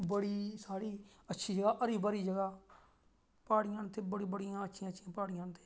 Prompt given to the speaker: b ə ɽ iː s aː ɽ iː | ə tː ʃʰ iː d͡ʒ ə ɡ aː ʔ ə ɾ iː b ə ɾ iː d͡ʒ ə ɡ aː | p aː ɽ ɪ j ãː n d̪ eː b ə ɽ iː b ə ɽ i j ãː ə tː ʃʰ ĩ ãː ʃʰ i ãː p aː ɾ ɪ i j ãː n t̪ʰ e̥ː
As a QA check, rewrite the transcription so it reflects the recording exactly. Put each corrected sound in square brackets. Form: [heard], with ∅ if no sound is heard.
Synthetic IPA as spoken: b ə ɽ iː s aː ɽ iː | ə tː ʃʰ iː d͡ʒ ə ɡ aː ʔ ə ɾ iː b ə ɾ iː d͡ʒ ə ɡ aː | p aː ɽ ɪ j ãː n [t̪] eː b ə ɽ iː b ə ɽ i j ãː ə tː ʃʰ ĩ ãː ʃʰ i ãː p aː [ɽ] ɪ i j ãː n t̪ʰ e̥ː